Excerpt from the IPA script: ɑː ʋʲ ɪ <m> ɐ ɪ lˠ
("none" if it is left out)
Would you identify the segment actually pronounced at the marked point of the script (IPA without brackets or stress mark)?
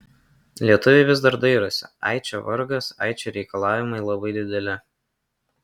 m